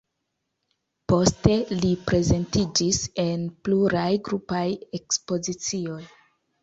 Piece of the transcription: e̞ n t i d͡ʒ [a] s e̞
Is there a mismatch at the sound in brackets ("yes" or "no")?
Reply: yes